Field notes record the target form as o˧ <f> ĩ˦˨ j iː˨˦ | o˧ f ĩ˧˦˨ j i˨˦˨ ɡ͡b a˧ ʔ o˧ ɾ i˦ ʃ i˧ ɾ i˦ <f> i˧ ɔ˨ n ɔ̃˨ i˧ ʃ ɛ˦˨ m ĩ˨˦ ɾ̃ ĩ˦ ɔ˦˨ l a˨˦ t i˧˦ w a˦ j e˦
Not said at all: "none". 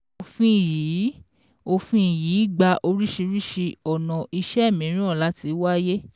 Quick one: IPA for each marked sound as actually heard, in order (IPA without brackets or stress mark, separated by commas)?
f, ʃ